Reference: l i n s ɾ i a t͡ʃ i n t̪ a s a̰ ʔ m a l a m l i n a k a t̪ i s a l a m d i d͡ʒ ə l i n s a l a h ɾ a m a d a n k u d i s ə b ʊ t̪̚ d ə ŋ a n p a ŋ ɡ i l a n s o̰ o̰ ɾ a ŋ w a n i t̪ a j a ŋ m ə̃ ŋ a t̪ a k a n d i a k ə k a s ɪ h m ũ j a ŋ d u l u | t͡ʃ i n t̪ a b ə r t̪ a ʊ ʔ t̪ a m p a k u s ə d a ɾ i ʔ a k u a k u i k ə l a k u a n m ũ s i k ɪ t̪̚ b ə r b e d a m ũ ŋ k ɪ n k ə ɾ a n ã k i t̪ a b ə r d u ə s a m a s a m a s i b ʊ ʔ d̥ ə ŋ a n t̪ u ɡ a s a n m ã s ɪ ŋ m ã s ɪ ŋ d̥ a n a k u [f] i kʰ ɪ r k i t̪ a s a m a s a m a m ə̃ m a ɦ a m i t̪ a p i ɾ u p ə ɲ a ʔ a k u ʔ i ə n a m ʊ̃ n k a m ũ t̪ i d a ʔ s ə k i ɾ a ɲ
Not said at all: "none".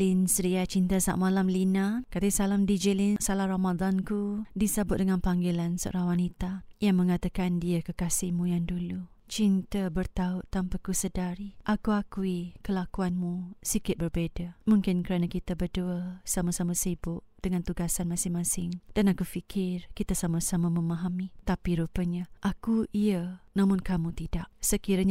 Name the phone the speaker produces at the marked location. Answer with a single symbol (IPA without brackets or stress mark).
f